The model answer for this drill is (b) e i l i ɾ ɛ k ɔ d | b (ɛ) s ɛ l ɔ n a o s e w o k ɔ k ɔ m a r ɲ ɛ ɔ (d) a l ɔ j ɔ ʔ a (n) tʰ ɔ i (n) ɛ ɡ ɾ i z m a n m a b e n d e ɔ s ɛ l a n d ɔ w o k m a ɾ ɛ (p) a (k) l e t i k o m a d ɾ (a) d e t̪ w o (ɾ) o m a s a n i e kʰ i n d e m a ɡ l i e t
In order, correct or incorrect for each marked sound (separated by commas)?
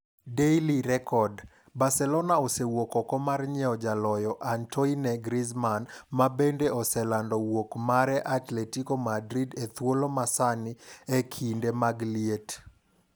incorrect, incorrect, incorrect, correct, correct, incorrect, incorrect, incorrect, incorrect